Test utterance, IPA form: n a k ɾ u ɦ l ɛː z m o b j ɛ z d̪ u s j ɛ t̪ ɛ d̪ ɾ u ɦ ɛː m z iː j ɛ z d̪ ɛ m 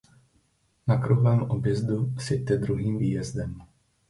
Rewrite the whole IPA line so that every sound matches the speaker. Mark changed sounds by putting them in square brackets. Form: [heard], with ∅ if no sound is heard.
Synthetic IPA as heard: n a k ɾ u ɦ l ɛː [∅] m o b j ɛ z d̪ u s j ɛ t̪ ɛ d̪ ɾ u ɦ [iː] m [v] iː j ɛ z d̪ ɛ m

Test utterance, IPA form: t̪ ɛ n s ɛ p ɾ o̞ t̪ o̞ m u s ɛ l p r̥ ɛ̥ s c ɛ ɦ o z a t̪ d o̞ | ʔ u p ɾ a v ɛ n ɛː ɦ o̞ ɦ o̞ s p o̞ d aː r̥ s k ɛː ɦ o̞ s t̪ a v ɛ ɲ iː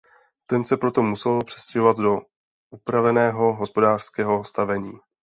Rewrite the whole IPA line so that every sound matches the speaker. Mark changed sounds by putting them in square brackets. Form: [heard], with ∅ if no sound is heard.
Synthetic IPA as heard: t̪ ɛ n s ɛ p ɾ o̞ t̪ o̞ m u s ɛ l p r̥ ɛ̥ s c ɛ ɦ o [v] a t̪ d o̞ | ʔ u p ɾ a v ɛ n ɛː ɦ o̞ ɦ o̞ s p o̞ d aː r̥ s k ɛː ɦ o̞ s t̪ a v ɛ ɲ iː

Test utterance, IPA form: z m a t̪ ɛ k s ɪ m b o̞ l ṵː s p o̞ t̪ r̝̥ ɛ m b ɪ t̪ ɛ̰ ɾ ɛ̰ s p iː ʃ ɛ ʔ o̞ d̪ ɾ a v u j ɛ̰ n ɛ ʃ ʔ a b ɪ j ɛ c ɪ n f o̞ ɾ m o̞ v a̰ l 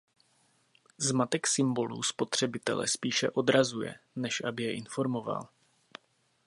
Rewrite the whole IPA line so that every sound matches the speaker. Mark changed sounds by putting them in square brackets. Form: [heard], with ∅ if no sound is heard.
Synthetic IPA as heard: z m a t̪ ɛ k s ɪ m b o̞ l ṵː s p o̞ t̪ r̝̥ ɛ [∅] b ɪ t̪ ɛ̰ [l] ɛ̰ s p iː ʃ ɛ ʔ o̞ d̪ ɾ a [z] u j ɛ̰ n ɛ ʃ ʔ a b ɪ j ɛ [ʔ] ɪ n f o̞ ɾ m o̞ v a̰ l

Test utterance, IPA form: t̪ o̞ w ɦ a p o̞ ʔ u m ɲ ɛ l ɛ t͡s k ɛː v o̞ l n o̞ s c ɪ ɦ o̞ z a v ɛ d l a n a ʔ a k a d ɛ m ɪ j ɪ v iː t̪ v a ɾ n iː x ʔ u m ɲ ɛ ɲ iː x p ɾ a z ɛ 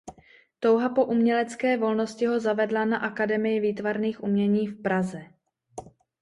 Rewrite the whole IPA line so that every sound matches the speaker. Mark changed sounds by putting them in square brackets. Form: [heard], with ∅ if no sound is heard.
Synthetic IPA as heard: t̪ o̞ w ɦ a p o̞ ʔ u m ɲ ɛ l ɛ t͡s k ɛː v o̞ l n o̞ s c ɪ ɦ o̞ z a v ɛ d l a n a ʔ a k a d ɛ m ɪ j ɪ v iː t̪ v a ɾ n iː x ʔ u m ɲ ɛ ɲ iː [f] p ɾ a z ɛ

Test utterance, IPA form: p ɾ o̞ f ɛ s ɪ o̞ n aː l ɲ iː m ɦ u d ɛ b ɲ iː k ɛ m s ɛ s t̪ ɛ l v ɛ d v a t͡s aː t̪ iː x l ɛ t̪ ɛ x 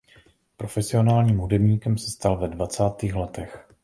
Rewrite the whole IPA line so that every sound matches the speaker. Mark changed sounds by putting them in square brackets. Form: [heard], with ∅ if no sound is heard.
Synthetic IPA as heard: p ɾ o̞ f ɛ s ɪ o̞ n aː l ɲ iː m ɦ u d ɛ b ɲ iː k ɛ m s ɛ s t̪ [a] l v ɛ d v a t͡s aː t̪ iː x l ɛ t̪ ɛ x

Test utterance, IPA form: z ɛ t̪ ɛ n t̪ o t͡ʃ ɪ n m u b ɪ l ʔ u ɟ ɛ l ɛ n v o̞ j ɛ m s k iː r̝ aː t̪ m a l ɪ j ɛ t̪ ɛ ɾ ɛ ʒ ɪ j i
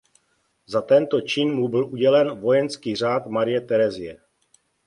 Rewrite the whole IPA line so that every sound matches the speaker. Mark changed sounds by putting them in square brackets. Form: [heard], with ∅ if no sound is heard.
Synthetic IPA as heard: z [a] t̪ ɛ n t̪ o t͡ʃ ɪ n m u b ɪ l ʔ u ɟ ɛ l ɛ n v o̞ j ɛ [n] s k iː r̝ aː t̪ m a [ɾ] ɪ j ɛ t̪ ɛ ɾ ɛ [z] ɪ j [ɛ]

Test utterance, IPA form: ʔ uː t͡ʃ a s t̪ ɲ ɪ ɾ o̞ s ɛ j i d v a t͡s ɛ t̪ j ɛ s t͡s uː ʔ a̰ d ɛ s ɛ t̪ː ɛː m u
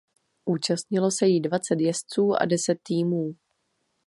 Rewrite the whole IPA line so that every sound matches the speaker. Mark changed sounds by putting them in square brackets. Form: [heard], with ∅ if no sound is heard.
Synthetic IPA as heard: ʔ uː t͡ʃ a s t̪ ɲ ɪ [l] o̞ s ɛ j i d v a t͡s ɛ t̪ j ɛ s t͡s uː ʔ a̰ d ɛ s ɛ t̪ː [iː] m [uː]

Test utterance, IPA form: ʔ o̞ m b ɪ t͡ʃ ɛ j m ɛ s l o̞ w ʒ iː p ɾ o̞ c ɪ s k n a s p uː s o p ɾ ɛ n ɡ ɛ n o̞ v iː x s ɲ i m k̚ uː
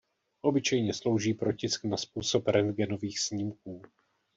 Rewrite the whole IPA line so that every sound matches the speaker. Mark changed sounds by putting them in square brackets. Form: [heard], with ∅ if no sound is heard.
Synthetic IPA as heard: ʔ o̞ [∅] b ɪ t͡ʃ ɛ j [ɲ] ɛ s l o̞ w ʒ iː p ɾ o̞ c ɪ s k n a s p uː s o p ɾ ɛ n ɡ ɛ n o̞ v iː x s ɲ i m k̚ uː

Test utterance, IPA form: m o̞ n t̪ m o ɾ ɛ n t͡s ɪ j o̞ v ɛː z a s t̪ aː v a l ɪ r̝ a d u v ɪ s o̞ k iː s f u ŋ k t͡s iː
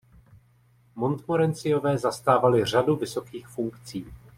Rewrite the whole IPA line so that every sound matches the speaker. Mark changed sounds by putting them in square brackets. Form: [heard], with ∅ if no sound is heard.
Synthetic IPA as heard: m o̞ n t̪ m o ɾ ɛ n t͡s ɪ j o̞ v ɛː z a s t̪ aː v a l ɪ r̝ a d u v ɪ s o̞ k iː [x] f u ŋ k t͡s iː

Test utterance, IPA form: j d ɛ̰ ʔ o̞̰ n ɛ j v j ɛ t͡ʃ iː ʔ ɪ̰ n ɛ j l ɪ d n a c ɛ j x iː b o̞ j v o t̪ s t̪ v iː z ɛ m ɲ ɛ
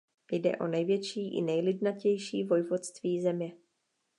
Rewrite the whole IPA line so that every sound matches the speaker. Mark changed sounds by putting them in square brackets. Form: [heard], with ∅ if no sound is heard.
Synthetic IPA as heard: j d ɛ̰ ʔ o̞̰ n ɛ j v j ɛ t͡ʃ iː ʔ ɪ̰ n ɛ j l ɪ d n a c ɛ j [ʃ] iː [v] o̞ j v o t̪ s t̪ v iː z ɛ m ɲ ɛ

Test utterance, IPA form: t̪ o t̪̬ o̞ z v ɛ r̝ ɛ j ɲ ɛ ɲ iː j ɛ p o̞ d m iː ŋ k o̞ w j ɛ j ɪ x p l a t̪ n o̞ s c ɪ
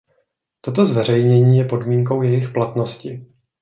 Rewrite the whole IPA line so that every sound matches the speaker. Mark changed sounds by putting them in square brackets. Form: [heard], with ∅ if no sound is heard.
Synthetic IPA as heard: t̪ o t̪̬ o̞ z v ɛ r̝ ɛ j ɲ ɛ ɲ iː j ɛ p o̞ d m iː ŋ k o̞ w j ɛ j ɪ x p l a t̪ n o̞ s c ɪ

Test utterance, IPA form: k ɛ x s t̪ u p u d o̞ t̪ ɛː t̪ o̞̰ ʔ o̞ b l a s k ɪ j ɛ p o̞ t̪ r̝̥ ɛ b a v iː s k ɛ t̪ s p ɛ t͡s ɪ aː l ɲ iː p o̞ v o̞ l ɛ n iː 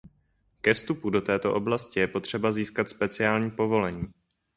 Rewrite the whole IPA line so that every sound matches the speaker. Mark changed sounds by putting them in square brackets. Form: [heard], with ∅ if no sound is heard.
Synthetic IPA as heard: k ɛ [f] s t̪ u p u d o̞ t̪ ɛː t̪ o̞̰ ʔ o̞ b l a s [c] ɪ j ɛ p o̞ t̪ r̝̥ ɛ b a [z] iː s k [a] t̪ s p ɛ t͡s ɪ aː l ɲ iː p o̞ v o̞ l ɛ [ɲ] iː

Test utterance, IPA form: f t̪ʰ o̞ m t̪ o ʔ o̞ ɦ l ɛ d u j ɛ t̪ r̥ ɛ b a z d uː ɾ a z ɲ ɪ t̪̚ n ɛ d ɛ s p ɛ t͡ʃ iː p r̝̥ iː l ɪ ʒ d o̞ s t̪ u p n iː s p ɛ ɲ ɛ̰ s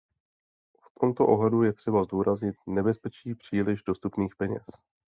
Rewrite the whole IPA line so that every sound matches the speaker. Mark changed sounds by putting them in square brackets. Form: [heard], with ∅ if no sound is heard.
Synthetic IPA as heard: f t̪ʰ o̞ m t̪ o ʔ o̞ ɦ l ɛ d u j ɛ t̪ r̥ ɛ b a z d uː ɾ a z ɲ ɪ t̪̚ n ɛ [b] ɛ s p ɛ t͡ʃ iː p r̝̥ iː l ɪ ʒ d o̞ s t̪ u p n iː [x] p ɛ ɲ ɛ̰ s

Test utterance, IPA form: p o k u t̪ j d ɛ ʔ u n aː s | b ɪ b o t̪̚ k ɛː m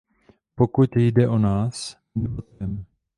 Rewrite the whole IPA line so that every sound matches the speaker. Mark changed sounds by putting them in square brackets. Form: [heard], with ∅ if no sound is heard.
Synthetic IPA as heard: p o k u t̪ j d ɛ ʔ [o] n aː s | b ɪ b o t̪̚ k [ɛ] m

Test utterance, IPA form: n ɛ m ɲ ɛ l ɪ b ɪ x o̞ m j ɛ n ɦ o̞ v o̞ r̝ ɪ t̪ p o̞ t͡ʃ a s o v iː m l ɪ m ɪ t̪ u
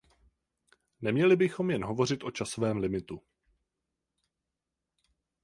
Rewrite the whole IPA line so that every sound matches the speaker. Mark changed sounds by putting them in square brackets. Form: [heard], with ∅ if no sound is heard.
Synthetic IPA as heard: n ɛ m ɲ ɛ l ɪ b ɪ x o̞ m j ɛ n ɦ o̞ v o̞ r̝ ɪ t̪ [ʔ] o̞ t͡ʃ a s o v [ɛː] m l ɪ m ɪ t̪ u

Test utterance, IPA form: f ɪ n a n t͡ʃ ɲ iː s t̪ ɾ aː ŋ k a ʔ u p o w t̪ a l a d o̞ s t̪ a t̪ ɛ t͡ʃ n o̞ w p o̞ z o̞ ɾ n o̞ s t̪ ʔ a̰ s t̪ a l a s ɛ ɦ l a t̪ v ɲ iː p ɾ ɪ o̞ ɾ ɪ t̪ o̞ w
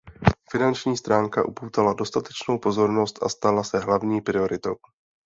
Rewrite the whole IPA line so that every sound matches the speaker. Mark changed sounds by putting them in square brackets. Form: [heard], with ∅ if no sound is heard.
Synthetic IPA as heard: f ɪ n a n t͡ʃ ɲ iː s t̪ ɾ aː ŋ k a ʔ u p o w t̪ a l a d o̞ s t̪ a t̪ ɛ t͡ʃ n o̞ w p o̞ z o̞ ɾ n o̞ s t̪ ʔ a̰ s t̪ a l a s ɛ ɦ l a [∅] v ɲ iː p ɾ ɪ o̞ ɾ ɪ t̪ o̞ w

